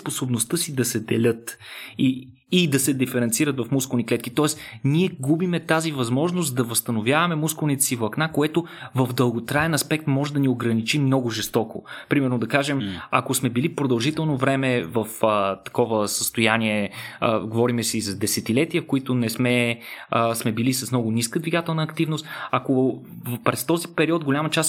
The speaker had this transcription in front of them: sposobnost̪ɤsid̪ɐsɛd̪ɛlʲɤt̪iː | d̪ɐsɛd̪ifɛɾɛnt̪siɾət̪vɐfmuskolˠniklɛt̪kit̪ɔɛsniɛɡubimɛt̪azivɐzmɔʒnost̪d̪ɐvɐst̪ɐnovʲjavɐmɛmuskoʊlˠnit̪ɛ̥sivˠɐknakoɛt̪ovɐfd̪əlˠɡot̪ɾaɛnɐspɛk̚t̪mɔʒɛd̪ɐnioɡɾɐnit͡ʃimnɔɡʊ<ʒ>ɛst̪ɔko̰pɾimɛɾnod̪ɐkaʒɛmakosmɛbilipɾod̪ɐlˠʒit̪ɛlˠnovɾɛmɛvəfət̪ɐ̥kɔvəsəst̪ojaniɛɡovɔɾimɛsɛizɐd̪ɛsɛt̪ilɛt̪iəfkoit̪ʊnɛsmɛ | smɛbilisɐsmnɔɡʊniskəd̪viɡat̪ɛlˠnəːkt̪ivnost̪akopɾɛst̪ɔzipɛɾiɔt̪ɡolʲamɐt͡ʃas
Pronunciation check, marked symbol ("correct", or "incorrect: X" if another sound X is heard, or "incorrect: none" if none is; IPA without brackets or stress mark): correct